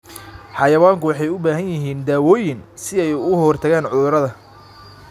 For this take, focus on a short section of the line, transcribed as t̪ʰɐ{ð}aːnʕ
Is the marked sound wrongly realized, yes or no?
yes